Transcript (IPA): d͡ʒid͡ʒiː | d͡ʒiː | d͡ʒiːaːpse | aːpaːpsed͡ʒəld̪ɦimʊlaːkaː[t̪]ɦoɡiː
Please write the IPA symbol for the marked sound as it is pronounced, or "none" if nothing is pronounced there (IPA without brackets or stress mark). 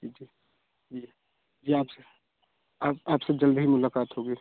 t̪